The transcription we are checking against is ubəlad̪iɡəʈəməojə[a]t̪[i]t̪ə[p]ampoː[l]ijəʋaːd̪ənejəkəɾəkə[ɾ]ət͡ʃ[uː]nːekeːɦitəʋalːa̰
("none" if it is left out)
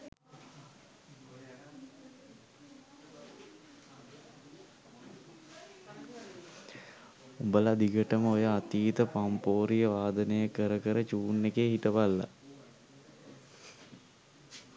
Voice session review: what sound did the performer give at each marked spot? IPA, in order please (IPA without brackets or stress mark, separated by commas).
a, iː, p, ɾ, ɾ, uː